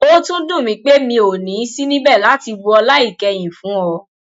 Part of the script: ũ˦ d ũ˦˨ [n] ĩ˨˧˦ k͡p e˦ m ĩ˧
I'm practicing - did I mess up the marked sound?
yes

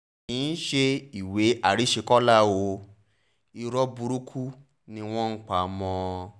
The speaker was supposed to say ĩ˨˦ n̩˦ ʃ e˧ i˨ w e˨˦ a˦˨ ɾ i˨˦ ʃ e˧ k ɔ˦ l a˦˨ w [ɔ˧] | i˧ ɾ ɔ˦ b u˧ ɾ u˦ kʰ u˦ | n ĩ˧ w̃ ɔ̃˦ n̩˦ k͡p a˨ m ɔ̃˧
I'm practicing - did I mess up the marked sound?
yes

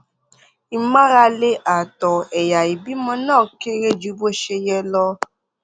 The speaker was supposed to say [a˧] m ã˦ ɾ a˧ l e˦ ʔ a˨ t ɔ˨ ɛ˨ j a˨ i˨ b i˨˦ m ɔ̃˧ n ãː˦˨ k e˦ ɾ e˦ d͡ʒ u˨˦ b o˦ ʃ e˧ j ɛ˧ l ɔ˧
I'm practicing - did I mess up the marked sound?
yes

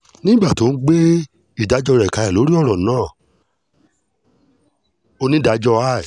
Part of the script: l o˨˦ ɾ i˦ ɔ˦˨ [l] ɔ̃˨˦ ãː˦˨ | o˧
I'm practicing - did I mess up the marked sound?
yes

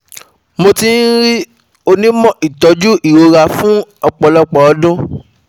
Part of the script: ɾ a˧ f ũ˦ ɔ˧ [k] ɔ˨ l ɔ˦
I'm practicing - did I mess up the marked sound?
yes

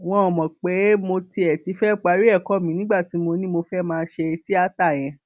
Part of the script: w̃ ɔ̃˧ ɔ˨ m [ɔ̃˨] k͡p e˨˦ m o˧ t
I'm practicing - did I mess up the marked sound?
no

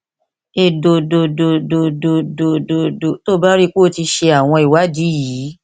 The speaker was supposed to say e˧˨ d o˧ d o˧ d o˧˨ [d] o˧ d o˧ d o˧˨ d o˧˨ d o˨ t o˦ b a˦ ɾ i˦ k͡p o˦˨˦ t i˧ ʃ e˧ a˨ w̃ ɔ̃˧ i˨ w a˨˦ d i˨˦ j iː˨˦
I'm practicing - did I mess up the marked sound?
no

